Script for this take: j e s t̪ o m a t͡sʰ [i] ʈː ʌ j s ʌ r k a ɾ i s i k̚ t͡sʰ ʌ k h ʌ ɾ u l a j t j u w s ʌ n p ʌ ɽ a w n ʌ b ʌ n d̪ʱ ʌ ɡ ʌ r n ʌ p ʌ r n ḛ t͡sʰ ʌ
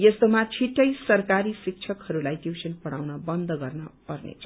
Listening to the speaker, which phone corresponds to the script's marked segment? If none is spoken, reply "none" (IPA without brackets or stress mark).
i